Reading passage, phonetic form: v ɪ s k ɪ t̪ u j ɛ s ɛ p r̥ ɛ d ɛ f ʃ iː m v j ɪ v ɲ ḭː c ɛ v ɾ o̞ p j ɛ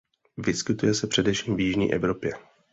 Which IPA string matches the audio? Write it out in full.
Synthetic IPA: v ɪ s k ɪ t̪ u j ɛ s ɛ p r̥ ɛ d ɛ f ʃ iː m v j ɪ ʒ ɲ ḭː ʔ ɛ v ɾ o̞ p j ɛ

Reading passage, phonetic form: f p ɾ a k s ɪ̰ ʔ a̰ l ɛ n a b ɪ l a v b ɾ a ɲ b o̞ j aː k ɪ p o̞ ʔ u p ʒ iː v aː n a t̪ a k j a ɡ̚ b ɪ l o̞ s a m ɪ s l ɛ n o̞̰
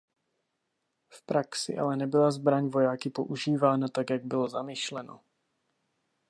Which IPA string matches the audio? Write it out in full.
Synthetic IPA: f p ɾ a k s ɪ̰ ʔ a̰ l ɛ n ɛ b ɪ l a z b ɾ a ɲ v o̞ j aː k ɪ p o̞ ʔ u ʒ iː v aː n a t̪ a k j a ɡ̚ b ɪ l o̞ z a m ɪ ʃ l ɛ n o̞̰

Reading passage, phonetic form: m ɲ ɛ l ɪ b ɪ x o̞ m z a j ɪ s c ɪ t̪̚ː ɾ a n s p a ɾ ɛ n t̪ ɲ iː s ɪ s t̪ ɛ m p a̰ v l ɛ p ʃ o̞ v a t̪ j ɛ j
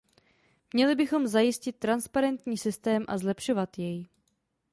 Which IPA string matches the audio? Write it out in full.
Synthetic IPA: m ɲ ɛ l ɪ b ɪ x o̞ m z a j ɪ s c ɪ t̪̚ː ɾ a n s p a ɾ ɛ n t̪ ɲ iː s ɪ s t̪ ɛː m ʔ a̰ z l ɛ p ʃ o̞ v a t̪ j ɛ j

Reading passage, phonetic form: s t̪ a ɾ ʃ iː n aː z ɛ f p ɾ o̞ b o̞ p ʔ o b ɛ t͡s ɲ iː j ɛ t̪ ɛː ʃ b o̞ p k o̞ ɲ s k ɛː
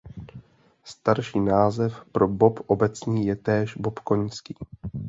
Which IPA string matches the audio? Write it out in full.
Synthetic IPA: s t̪ a ɾ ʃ iː n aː z ɛ f p ɾ o̞ b o̞ p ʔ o b ɛ t͡s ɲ iː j ɛ t̪ ɛː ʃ b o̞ p k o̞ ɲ s k iː

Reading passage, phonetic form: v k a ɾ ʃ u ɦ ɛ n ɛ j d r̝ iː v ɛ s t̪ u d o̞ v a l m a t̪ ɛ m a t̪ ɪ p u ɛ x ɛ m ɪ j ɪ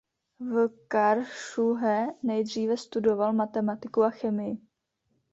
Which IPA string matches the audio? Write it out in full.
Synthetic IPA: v k a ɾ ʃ u ɦ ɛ n ɛ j d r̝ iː v ɛ s t̪ u d o̞ v a l m a t̪ ɛ m a t̪ ɪ k u a x ɛ m ɪ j ɪ

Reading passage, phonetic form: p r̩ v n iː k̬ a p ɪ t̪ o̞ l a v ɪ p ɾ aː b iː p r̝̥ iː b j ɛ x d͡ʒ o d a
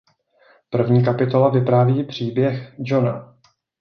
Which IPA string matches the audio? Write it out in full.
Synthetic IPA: p r̩ v ɲ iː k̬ a p ɪ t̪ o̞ l a v ɪ p ɾ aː v iː p r̝̥ iː b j ɛ x d͡ʒ o n a

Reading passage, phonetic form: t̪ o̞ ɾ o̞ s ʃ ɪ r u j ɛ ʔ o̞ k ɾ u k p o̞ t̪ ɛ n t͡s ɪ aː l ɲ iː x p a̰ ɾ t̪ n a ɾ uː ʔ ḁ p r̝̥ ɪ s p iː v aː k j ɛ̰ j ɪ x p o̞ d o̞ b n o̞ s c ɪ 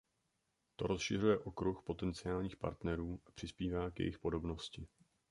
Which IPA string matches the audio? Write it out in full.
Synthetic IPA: t̪ o̞ ɾ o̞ s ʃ ɪ r u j ɛ ʔ o̞ k ɾ u x p o̞ t̪ ɛ n t͡s ɪ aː l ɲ iː x p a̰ ɾ t̪ n ɛ ɾ uː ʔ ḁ p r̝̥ ɪ s p iː v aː k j ɛ̰ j ɪ x p o̞ d o̞ b n o̞ s c ɪ

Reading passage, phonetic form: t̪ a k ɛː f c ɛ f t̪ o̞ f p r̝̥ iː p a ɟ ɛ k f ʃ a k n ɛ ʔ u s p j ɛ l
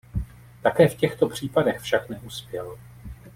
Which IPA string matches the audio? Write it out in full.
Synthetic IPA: t̪ a k ɛː f c ɛ x t̪ o̞ p r̝̥ iː p a d ɛ x f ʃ a k n ɛ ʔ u s p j ɛ l

